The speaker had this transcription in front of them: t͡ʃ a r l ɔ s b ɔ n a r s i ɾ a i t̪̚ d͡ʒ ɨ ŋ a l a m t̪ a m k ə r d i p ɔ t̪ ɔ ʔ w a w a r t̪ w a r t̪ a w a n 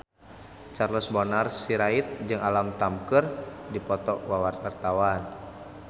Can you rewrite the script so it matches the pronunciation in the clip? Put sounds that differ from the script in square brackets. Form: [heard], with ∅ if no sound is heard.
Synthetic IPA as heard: t͡ʃ a r l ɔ s b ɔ n a r s i ɾ a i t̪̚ d͡ʒ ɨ ŋ a l a m t̪ a m k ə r d i p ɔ t̪ ɔ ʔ w a w a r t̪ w a r t̪ a w a n